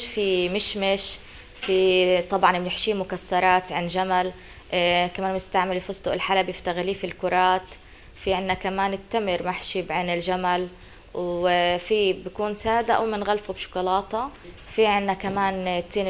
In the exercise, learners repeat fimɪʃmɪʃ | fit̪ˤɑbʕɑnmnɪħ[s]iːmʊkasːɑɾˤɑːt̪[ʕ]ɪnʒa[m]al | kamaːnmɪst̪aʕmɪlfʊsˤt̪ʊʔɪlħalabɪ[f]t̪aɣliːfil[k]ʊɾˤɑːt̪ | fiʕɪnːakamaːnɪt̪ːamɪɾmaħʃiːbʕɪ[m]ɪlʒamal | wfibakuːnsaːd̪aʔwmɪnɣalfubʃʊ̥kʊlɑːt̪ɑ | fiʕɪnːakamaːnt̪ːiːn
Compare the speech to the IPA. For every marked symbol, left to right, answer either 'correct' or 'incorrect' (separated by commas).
incorrect, correct, correct, correct, correct, incorrect